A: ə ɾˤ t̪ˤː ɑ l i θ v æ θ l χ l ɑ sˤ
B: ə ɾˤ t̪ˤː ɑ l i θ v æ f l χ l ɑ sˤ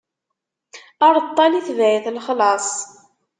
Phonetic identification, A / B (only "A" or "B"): A